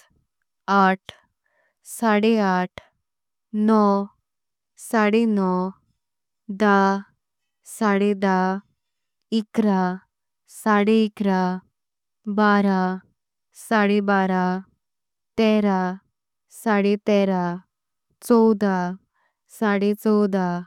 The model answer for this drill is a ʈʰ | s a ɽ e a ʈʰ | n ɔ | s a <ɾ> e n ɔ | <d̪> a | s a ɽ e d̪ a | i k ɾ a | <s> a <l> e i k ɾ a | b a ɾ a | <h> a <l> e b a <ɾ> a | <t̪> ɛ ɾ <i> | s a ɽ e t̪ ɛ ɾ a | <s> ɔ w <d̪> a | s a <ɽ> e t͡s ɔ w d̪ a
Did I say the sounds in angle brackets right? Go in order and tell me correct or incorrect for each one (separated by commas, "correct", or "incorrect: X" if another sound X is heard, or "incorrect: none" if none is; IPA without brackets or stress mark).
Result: incorrect: ɽ, correct, correct, incorrect: ɽ, incorrect: s, incorrect: ɽ, correct, correct, incorrect: a, incorrect: t͡s, correct, correct